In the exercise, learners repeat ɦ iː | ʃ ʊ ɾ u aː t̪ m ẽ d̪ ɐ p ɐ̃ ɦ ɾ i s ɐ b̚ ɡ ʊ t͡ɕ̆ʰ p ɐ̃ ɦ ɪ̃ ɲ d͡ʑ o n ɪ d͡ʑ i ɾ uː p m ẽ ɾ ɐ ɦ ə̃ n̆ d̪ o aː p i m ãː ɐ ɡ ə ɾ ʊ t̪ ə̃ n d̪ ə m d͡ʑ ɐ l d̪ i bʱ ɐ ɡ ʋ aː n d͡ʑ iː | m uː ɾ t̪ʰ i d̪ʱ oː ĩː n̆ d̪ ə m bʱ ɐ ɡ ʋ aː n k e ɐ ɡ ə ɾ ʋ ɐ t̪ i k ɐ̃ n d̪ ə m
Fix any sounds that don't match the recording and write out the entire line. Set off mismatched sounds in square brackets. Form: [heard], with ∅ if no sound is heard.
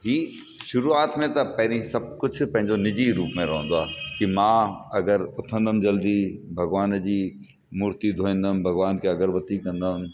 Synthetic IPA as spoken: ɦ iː | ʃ ʊ ɾ u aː t̪ m ẽ [t̪] ɐ p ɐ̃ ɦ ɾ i s ɐ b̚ [k] ʊ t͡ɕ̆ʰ p ɐ̃ ɦ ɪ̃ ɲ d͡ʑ o n ɪ d͡ʑ i ɾ uː p m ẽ ɾ ɐ ɦ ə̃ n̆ d̪ o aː [k] i m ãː ɐ ɡ ə ɾ ʊ [t̪ʰ] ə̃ n d̪ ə m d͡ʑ ɐ l d̪ i bʱ ɐ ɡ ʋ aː n d͡ʑ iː | m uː ɾ [t̪] i d̪ʱ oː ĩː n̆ d̪ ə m bʱ ɐ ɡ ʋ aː n k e ɐ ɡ ə ɾ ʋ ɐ t̪ i k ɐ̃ n d̪ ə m